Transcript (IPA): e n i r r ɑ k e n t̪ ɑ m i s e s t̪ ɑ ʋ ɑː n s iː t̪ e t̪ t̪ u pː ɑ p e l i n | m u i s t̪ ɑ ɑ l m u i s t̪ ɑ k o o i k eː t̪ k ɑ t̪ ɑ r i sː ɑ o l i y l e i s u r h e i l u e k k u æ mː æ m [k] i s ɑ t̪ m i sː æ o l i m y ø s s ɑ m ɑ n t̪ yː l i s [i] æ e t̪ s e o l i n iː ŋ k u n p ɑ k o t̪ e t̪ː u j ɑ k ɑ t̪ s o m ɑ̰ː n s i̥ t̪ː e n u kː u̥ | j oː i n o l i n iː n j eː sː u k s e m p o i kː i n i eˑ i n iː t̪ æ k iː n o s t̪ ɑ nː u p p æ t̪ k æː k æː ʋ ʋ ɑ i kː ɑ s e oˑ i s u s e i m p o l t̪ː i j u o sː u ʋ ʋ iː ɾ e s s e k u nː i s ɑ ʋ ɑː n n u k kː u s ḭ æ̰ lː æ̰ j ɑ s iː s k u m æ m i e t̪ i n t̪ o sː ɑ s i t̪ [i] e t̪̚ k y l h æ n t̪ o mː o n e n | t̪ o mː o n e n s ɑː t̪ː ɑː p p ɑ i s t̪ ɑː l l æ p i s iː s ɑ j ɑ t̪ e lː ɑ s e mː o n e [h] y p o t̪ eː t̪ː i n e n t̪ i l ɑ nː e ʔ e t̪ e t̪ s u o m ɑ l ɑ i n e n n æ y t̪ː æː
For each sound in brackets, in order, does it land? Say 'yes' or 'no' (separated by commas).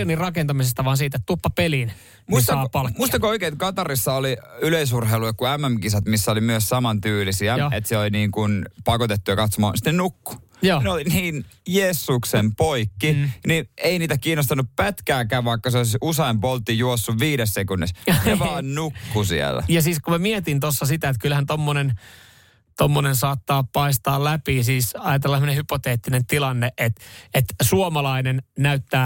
yes, yes, no, yes